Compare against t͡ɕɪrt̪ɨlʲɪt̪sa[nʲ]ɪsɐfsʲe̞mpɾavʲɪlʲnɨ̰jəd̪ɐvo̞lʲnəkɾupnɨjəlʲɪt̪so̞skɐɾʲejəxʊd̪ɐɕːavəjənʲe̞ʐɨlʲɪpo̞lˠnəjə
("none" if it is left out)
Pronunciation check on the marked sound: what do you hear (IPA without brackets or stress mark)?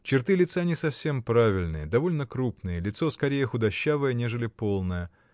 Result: nʲ